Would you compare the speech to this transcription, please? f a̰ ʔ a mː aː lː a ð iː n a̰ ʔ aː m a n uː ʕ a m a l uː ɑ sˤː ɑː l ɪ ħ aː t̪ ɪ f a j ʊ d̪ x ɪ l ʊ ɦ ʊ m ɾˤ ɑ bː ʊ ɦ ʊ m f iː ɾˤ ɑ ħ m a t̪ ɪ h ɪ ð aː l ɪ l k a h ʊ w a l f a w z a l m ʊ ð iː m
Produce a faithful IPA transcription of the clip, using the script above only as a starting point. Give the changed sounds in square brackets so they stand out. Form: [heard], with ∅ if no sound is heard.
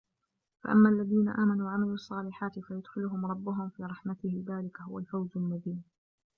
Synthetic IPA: f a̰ ʔ a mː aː lː a ð iː n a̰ ʔ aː m a n uː ʕ a m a l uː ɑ sˤː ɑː l ɪ ħ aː t̪ ɪ f a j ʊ d̪ x ɪ l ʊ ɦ ʊ m ɾˤ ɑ bː ʊ ɦ ʊ m f iː ɾˤ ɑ ħ m a t̪ ɪ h ɪ ð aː l ɪ [∅] k a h ʊ w a l f a w z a l m ʊ ð iː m